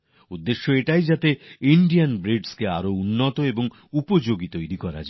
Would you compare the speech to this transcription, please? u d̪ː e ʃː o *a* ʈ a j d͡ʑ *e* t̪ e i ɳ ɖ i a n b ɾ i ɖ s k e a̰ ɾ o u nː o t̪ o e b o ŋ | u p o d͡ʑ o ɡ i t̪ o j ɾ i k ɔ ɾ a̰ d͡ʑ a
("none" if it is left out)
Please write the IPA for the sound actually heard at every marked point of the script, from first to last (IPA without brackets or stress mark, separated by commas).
e, a